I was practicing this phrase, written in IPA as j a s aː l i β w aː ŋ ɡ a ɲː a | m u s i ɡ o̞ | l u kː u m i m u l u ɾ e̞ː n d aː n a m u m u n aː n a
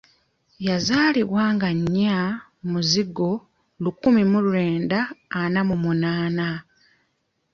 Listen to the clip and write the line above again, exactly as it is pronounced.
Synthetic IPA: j a z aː l i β w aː ŋ ɡ a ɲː a | m u z i ɡ o̞ | l u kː u m i m u l u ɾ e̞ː n d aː n a m u m u n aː n a